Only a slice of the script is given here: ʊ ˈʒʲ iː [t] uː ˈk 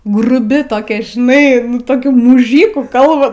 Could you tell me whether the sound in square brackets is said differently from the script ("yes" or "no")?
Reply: yes